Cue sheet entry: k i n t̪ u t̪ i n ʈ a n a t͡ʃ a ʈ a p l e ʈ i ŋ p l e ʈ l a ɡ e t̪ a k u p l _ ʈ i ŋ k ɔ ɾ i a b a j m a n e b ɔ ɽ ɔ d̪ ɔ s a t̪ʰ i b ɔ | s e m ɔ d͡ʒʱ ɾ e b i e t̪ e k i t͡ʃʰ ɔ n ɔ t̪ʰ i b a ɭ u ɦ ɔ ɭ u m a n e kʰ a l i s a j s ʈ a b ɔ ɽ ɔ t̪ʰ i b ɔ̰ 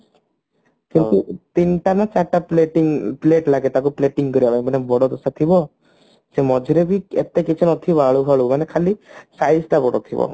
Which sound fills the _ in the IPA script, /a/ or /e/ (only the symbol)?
e